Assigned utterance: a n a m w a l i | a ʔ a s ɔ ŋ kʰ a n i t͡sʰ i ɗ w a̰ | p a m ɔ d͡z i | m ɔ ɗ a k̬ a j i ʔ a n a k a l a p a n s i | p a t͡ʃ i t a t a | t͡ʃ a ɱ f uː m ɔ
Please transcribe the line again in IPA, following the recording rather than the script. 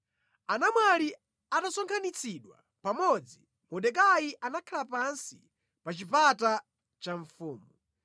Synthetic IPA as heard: a n a m w a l i | a t a s ɔ ŋ kʰ a n i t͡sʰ i ɗ w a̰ | p a m ɔ d͡z i | m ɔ ɗ ɛ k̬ a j i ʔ a n a kʰ a l a p a n s i | p a t͡ʃ i p a t a | t͡ʃ a ɱ f uː m u